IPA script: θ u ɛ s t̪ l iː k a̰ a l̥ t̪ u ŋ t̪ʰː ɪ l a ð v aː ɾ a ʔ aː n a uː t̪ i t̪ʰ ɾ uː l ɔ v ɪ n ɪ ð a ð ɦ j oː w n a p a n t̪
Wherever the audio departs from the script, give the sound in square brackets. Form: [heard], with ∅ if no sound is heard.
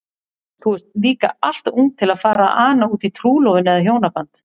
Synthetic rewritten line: θ u ɛ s t̪ l iː k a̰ a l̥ t̪ u ŋ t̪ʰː ɪ l a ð [f] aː ɾ a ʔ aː n a uː t̪ i t̪ʰ ɾ uː l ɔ v ɪ n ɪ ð a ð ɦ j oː w n a p a n t̪